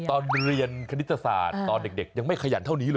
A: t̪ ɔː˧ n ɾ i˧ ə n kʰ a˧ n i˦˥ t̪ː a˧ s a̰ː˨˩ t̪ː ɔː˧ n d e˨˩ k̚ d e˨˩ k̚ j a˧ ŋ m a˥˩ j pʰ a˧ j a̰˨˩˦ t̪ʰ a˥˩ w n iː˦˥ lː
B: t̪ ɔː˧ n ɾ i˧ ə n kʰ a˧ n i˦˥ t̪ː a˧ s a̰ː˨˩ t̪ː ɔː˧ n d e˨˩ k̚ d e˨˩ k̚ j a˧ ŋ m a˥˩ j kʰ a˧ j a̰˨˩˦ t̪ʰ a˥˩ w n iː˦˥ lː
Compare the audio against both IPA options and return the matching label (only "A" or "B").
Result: B